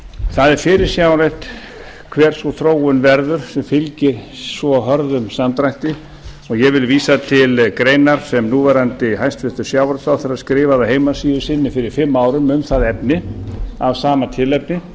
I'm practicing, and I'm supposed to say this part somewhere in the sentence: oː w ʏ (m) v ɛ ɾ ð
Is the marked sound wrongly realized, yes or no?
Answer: yes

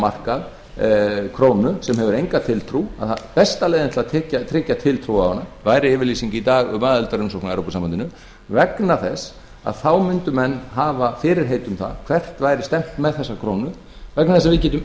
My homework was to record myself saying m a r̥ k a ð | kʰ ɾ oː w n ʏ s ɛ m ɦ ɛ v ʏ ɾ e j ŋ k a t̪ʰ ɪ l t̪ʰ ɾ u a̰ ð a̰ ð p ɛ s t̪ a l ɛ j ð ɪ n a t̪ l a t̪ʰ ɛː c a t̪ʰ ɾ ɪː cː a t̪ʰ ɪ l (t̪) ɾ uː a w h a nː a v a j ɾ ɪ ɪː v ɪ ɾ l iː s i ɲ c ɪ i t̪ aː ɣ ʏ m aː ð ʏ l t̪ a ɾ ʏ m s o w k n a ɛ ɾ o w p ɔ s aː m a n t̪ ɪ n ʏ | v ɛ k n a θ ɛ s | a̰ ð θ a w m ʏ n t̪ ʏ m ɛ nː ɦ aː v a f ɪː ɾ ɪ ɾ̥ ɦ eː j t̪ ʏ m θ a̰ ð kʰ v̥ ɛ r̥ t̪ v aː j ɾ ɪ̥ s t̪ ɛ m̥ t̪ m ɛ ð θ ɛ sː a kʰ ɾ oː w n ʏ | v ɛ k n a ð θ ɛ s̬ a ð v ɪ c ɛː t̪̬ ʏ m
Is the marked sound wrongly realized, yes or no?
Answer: yes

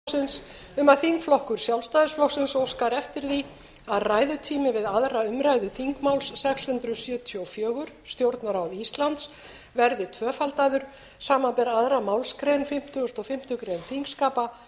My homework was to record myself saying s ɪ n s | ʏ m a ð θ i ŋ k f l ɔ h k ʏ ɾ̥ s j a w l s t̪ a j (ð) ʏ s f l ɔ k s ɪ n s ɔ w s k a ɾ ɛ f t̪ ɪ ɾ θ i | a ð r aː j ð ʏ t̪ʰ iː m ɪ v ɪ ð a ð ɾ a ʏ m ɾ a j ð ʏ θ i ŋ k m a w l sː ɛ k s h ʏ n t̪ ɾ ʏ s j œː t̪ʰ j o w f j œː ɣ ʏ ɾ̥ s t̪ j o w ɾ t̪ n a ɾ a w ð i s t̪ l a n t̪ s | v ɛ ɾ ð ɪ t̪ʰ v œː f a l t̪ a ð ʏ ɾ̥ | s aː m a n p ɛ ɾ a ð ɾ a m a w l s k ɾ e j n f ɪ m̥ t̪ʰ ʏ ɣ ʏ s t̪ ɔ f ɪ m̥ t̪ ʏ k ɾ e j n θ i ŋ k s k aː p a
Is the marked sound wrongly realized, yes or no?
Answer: no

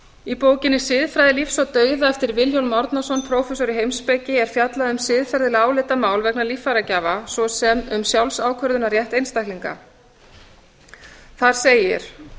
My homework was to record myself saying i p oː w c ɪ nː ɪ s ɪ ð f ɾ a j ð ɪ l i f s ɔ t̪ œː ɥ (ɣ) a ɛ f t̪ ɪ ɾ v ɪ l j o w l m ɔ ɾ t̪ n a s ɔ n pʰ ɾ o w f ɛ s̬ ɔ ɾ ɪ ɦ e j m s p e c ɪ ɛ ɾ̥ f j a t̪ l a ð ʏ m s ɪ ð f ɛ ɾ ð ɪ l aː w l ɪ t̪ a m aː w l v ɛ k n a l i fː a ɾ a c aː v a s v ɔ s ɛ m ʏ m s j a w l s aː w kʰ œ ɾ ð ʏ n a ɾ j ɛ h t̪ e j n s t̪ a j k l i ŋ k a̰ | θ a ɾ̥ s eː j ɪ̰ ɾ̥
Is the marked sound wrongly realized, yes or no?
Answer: yes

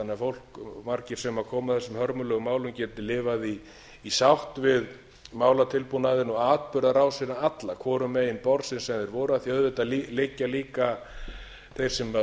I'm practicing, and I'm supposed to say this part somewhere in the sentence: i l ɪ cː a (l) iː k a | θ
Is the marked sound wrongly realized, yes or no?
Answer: no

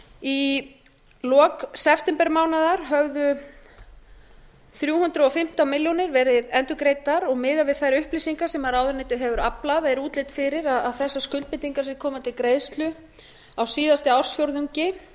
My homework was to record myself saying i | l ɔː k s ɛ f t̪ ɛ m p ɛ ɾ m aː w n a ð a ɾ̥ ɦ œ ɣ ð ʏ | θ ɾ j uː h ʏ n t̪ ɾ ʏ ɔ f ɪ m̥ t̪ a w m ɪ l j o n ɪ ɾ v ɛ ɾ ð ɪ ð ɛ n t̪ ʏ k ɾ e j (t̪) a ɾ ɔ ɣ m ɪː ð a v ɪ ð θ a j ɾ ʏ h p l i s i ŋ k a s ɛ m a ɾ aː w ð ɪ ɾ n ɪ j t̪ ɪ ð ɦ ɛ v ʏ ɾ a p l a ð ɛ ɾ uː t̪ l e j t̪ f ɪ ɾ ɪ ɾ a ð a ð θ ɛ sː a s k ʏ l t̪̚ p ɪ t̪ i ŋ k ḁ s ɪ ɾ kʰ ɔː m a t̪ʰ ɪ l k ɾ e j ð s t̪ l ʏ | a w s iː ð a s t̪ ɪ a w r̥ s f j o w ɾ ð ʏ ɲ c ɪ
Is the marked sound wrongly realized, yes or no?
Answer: no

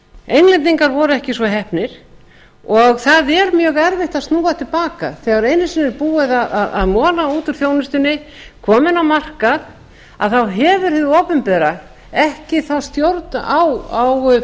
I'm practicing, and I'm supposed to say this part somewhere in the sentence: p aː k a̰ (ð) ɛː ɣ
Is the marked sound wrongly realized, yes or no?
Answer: yes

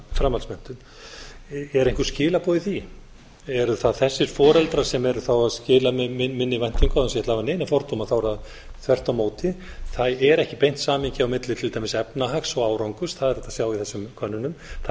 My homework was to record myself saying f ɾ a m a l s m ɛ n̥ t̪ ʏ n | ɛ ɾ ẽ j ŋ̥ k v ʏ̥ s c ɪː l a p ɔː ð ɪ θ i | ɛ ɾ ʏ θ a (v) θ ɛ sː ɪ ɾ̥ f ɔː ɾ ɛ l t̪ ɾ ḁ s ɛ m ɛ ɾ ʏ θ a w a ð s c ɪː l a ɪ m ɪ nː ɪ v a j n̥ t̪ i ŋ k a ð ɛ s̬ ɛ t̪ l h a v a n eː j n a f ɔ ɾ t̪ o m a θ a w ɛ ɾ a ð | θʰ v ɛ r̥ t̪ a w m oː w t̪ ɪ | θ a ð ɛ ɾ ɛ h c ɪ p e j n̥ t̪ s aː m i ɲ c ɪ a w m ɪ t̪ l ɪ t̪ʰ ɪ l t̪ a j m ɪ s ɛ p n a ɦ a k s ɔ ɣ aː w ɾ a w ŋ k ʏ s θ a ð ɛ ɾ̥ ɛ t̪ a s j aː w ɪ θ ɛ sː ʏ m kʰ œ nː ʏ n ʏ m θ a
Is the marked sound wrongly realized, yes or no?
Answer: yes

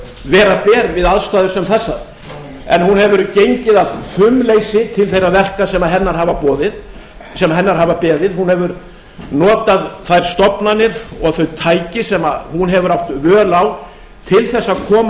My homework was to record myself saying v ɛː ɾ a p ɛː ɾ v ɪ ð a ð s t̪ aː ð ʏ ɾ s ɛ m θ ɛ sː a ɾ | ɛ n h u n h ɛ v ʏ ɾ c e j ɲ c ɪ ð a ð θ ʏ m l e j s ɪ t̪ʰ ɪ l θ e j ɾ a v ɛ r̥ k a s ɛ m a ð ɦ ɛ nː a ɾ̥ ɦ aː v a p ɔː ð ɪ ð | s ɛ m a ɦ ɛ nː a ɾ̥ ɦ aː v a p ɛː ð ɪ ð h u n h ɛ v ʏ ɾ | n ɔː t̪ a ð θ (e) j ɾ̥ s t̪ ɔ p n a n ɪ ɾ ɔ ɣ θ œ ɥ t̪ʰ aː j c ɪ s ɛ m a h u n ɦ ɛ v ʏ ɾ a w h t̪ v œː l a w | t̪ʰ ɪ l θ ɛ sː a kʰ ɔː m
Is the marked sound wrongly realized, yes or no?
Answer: yes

